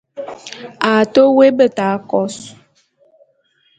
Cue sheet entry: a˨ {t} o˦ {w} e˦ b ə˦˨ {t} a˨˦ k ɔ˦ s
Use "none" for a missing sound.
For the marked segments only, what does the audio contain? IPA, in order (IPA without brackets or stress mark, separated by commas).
t, w, t